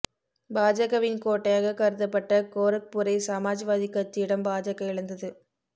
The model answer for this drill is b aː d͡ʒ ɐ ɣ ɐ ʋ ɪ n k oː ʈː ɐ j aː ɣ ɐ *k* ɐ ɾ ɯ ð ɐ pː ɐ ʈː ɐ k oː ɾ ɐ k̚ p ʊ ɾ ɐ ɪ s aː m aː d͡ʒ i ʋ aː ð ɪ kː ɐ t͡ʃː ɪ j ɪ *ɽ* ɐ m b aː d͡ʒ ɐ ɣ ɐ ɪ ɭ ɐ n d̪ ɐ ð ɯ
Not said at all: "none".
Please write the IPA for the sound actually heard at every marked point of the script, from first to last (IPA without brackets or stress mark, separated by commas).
k, ɽ